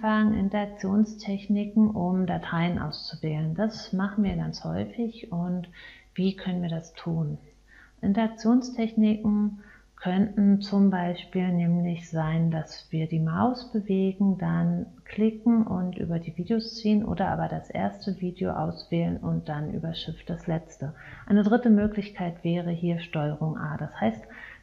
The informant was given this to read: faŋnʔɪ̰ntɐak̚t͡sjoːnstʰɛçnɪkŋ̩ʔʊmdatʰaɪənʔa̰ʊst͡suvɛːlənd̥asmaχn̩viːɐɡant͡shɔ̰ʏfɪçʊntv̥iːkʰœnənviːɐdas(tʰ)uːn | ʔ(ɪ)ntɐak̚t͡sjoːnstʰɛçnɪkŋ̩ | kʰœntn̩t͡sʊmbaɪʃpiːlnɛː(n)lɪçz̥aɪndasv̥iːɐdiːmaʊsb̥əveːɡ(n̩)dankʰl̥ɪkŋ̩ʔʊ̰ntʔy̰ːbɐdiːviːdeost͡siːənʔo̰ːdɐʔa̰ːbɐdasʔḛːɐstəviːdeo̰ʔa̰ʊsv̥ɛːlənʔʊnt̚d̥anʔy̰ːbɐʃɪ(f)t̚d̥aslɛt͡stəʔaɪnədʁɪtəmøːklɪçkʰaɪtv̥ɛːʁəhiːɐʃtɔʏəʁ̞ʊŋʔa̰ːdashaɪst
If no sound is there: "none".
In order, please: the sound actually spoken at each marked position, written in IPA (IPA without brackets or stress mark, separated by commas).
tʰ, ɪ, m, ŋ̩, f